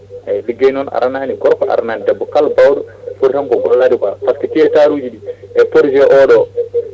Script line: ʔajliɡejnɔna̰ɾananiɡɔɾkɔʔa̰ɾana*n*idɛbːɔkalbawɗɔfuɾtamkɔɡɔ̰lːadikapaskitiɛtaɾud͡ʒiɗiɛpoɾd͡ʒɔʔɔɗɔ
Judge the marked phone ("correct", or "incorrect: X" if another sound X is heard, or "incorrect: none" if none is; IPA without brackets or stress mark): correct